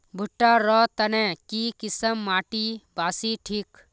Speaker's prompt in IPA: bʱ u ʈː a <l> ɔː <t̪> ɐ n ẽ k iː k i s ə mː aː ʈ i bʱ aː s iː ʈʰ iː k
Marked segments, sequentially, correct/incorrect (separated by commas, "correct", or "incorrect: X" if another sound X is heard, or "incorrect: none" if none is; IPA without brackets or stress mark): incorrect: ɾ, correct